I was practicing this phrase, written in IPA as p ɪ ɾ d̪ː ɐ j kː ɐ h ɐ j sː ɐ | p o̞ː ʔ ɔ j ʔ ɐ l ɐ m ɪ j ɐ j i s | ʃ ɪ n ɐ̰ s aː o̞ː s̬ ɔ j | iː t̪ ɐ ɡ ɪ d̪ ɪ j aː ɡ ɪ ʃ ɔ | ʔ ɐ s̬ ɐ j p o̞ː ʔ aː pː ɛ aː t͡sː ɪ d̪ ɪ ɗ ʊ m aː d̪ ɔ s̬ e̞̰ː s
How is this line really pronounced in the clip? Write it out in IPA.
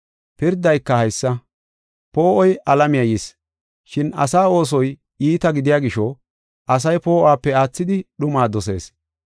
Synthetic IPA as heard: p ɪ ɾ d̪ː ɐ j kː ɐ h ɐ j sː ɐ | p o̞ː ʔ ɔ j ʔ ɐ l ɐ m ɪ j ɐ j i s | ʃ ɪ n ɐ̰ s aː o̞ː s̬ ɔ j | iː t̪ ɐ ɡ ɪ d̪ ɪ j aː ɡ ɪ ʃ ɔ | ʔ ɐ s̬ ɐ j p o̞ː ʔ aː pː ɛ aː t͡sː ɪ d̪ ɪ ɗ ʊ m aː d̪ ɔ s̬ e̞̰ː s

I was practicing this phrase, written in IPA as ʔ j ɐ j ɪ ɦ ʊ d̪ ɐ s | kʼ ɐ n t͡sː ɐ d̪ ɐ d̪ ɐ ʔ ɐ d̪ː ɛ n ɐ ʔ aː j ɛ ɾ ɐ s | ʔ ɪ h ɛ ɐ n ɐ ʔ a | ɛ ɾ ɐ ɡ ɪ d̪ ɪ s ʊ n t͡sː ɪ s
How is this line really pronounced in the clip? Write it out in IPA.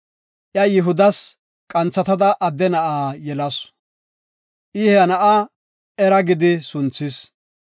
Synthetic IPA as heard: ʔ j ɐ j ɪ ɦ ʊ d̪ ɐ s | kʼ ɐ n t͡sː ɐ t̪ ɐ d̪ ɐ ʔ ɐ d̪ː ɛ n ɐ ʔ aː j ɛ l ɐ s | ʔ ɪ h ɛ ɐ n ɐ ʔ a | ɛ ɾ ɐ ɡ ɪ d̪ ɪ s ʊ n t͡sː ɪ s

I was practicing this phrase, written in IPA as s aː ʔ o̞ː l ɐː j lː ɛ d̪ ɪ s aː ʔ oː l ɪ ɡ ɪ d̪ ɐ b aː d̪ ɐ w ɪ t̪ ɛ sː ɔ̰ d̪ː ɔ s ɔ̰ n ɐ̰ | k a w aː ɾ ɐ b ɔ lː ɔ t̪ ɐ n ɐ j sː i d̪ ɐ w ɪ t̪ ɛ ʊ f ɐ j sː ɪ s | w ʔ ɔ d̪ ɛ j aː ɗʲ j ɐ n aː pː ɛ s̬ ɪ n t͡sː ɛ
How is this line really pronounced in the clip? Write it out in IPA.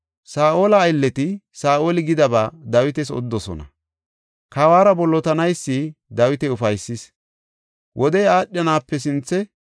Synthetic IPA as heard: s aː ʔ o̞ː l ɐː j lː ɛ t̪ ɪ s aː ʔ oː l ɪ ɡ ɪ d̪ ɐ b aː d̪ ɐ w ɪ t̪ ɛ s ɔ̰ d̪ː ɔ s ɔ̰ n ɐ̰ | k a w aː ɾ ɐ b ɔ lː ɔ t̪ ɐ n ɐ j sː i d̪ ɐ w ɪ t̪ ɛ ʊ f ɐ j sː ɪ s | w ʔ ɔ d̪ ɛ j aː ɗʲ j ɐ n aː pː ɛ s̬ ɪ n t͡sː ɛ

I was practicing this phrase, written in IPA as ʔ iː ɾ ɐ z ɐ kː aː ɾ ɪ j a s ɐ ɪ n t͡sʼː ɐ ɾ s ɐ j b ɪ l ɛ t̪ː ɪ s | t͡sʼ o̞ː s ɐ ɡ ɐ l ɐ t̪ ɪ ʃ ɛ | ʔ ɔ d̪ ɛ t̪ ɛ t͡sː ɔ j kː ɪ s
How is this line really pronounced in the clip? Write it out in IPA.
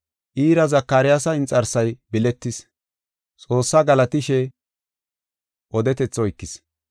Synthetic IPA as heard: ʔ iː ɾ ɐ z ɐ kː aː ɾ ɪ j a s ɐ ɪ n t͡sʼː ɐ ɾ s ɐ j b ɪ l ɛ t̪ː ɪ s | t͡sʼ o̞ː sː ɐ ɡ ɐ l ɐ t̪ ɪ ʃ ɛ | ʔ ɔ d̪ ɛ t̪ ɛ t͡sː ɔ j kː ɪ s

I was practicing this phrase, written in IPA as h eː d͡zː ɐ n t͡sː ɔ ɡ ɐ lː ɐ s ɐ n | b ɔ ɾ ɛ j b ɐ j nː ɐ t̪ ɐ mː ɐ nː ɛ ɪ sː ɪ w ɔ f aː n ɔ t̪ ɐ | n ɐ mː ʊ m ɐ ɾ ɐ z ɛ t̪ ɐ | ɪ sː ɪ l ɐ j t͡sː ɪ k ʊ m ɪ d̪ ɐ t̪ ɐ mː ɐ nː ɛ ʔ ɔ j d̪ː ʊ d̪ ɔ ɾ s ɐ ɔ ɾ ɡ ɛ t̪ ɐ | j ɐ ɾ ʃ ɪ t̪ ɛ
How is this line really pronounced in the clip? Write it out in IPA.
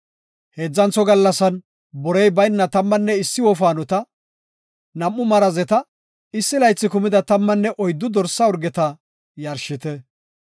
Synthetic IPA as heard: h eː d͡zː ɐ n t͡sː ɔ ɡ ɐ lː ɐ s ɐ n | b ɔ ɾ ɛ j b ɐ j nː ɐ t̪ ɐ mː ɐ nː ɛ ɪ sː ɪ w ɔ f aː n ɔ t̪ ɐ | n ɐ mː ʊ m ɐ ɾ ɐ z ɛ t̪ ɐ | ɪ sː ɪ l ɐ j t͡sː ɪ k ʊ m ɪ d̪ ɐ t̪ ɐ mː ɐ nː ɛ ʔ ɔ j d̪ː ʊ d̪ ɔ ɾ s ɐ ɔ ɾ ɡ ɛ t̪ ɐ | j ɐ ɾ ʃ ɪ t̪ ɛ

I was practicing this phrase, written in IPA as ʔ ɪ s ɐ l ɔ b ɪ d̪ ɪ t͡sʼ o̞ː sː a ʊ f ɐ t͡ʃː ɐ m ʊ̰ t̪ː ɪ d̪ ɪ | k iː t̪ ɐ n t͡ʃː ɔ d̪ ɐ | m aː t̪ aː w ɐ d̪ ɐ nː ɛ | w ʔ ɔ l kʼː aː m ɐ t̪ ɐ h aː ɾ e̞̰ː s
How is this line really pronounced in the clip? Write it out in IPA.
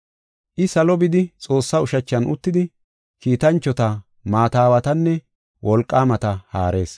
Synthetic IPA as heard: ʔ ɪ s ɐ l ɔ b ɪ d̪ ɪ t͡sʼ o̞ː sː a ʊ ʃ ɐ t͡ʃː ɐ n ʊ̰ t̪ː ɪ d̪ ɪ | k iː t̪ ɐ n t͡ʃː ɔ t̪ ɐ | m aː t̪ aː w ɐ t̪ ɐ nː ɛ | w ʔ ɔ l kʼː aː m ɐ t̪ ɐ h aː ɾ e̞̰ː s

